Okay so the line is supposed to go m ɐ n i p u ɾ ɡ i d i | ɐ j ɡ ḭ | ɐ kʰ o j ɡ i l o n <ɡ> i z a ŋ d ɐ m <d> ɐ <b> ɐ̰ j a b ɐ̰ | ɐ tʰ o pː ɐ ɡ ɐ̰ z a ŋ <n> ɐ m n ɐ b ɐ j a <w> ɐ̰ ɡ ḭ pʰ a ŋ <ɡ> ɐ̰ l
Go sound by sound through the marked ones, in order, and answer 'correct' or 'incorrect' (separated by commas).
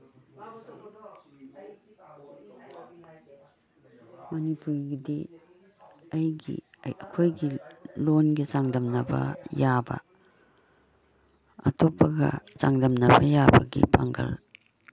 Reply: correct, incorrect, correct, incorrect, incorrect, correct